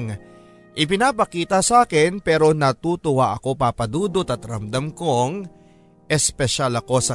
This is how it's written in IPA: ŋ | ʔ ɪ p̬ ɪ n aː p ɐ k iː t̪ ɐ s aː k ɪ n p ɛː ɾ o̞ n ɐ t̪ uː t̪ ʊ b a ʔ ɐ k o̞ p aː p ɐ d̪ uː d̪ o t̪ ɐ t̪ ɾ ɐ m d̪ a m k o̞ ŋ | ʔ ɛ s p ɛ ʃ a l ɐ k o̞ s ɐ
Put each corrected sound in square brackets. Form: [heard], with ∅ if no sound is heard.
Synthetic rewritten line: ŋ | ʔ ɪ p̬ ɪ n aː p ɐ k iː t̪ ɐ s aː k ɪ n p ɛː ɾ o̞ n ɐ t̪ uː t̪ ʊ [w] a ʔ ɐ k o̞ p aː p ɐ d̪ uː d̪ o t̪ ɐ t̪ ɾ ɐ m d̪ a m k o̞ ŋ | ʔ ɛ s p ɛ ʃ a l ɐ k o̞ s ɐ